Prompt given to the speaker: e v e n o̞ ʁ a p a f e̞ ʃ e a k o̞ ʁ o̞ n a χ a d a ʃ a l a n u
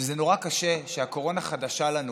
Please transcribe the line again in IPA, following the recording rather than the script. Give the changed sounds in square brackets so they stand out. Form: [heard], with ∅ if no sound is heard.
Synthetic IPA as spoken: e [z] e n o̞ ʁ a [k] a [ʃ] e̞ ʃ e a k o̞ ʁ o̞ n a χ a d a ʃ a l a n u

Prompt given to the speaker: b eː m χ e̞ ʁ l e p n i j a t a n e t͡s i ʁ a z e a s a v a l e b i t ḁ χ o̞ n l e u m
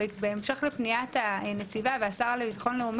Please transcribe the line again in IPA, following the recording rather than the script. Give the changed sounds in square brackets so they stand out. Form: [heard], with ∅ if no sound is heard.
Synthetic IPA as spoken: b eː m [ʃ] e̞ [χ] l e p n i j a t a n e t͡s i [v] a [v] e a s a [ʁ] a l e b i t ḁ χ o̞ n l e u m

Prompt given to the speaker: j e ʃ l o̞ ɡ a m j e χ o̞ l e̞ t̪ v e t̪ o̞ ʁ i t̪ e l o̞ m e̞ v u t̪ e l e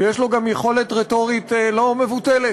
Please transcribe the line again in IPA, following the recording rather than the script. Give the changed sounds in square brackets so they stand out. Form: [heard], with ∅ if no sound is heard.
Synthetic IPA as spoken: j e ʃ l o̞ ɡ a m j e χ o̞ l e̞ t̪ [ʁ] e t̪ o̞ ʁ i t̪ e l o̞ m e̞ v u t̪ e l e

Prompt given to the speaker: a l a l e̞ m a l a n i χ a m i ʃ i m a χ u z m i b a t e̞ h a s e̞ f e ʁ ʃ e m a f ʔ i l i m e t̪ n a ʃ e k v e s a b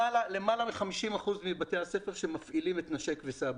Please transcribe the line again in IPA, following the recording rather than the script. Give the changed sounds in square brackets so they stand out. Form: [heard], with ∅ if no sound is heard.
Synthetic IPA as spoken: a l a l e̞ m a l a [m] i χ a m i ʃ i m a χ u z m i b a t e̞ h a s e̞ f e ʁ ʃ e m a f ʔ i l i m e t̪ n a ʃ e k v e s a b

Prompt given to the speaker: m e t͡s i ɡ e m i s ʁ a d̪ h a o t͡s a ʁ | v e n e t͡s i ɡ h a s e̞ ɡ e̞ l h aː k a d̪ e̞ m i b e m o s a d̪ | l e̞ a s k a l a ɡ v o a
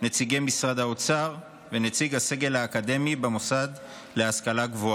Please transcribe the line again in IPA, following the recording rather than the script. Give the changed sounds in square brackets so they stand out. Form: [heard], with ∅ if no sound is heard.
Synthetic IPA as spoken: [n] e t͡s i ɡ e m i s ʁ a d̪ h a o t͡s a ʁ | v e n e t͡s i ɡ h a s e̞ ɡ e̞ l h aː k a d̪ e̞ m i b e m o s a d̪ | l e̞ a s k a l a ɡ v o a

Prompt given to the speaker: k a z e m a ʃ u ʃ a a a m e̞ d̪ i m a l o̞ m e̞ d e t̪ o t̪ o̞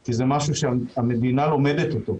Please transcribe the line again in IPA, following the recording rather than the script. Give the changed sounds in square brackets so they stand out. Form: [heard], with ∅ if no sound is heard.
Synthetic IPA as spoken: k [i] z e m a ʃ u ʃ [e] a a m e̞ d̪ i [n] a l o̞ m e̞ d e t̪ o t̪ o̞

